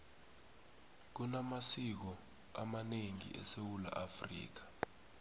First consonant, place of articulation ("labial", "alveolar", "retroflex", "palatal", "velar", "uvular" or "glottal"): velar